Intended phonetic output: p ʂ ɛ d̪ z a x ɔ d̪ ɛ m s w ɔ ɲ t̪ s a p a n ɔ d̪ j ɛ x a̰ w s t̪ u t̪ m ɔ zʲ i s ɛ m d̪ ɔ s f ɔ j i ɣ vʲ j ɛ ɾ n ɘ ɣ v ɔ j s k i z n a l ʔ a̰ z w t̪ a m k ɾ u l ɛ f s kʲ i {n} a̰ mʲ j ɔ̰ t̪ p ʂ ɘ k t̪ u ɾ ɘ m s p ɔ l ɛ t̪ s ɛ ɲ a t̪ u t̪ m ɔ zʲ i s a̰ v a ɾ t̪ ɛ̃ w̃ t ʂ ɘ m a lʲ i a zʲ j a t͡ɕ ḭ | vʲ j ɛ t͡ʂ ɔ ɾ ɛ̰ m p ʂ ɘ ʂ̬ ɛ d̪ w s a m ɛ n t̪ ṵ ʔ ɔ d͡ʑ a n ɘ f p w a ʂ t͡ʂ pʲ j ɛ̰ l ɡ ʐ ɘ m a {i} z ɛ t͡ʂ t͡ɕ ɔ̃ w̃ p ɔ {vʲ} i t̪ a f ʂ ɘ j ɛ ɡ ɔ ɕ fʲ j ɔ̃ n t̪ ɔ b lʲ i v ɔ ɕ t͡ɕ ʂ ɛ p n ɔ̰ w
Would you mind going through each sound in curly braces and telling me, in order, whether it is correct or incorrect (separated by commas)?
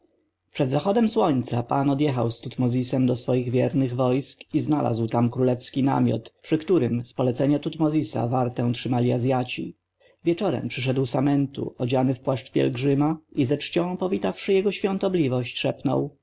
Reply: correct, correct, correct